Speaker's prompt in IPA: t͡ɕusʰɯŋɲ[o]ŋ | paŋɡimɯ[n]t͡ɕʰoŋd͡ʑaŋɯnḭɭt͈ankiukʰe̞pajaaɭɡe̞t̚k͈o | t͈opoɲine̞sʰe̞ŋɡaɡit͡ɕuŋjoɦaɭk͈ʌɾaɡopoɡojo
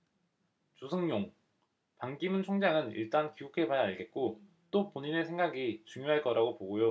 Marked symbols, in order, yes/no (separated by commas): yes, yes